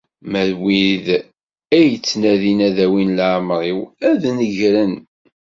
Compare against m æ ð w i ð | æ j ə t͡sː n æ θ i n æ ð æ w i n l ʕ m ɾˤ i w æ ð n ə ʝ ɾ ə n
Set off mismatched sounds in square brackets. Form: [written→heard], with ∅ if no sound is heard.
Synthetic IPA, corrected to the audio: m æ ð w i ð | æ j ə t͡sː n æ [θ→ð] i n æ ð æ w i n l ʕ m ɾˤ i w æ ð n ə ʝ ɾ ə n